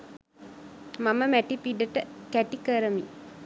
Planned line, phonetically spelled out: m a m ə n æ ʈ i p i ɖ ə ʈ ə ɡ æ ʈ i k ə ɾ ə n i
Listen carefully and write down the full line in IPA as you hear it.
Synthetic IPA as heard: m a m ə m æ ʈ i p i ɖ ə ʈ ə k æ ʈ i k ə ɾ ə m i